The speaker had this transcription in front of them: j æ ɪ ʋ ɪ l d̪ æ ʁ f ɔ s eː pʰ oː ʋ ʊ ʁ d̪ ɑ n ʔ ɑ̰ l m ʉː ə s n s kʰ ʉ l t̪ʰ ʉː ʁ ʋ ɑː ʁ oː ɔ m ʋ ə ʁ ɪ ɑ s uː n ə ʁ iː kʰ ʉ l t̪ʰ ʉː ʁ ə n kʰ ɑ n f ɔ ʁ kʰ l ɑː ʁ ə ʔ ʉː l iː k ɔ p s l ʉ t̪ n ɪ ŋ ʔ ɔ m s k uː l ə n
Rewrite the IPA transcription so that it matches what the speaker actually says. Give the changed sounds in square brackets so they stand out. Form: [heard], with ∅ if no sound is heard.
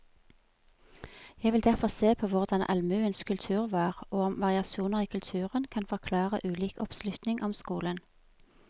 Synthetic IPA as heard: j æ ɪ ʋ ɪ l d̪ æ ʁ f ɔ s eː pʰ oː ʋ ʊ ʁ d̪ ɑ n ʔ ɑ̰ l m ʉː ə [∅] n s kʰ ʉ l t̪ʰ ʉː ʁ ʋ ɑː ʁ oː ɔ m ʋ [ɑ] ʁ ɪ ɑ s uː n ə ʁ iː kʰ ʉ l t̪ʰ ʉː ʁ ə n kʰ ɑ n f ɔ ʁ kʰ l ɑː ʁ ə ʔ ʉː l iː k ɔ p s l ʉ t̪ n ɪ ŋ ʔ ɔ m s k uː l ə n